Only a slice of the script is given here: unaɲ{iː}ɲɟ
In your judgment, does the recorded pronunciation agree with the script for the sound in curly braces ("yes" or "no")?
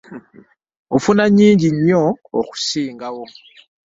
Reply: yes